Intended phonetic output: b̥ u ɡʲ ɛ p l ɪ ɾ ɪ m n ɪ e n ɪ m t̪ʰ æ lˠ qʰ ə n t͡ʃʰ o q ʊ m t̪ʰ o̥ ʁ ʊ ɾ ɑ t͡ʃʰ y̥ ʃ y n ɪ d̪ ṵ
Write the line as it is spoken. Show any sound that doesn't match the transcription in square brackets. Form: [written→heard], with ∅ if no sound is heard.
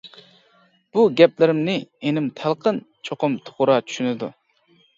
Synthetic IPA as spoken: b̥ u ɡʲ ɛ p l ɪ ɾ ɪ m n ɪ e n ɪ m t̪ʰ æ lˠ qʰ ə n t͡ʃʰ o q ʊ m t̪ʰ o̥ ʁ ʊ ɾ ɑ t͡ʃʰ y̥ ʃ y n ɪ d̪ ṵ